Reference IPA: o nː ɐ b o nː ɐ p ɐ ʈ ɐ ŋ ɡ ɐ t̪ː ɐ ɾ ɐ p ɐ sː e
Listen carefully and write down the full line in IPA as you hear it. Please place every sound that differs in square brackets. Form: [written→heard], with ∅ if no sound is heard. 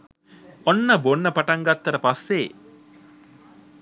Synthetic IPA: o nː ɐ b o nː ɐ p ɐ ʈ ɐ ŋ ɡ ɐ t̪ː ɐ ɾ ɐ p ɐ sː e